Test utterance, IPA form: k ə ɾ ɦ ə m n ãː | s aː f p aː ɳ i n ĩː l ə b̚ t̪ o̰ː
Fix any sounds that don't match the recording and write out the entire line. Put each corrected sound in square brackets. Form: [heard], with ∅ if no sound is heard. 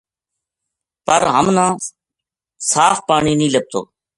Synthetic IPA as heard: [p] ə ɾ ɦ ə m n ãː | s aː f p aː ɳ [iː] n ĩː l ə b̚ t̪ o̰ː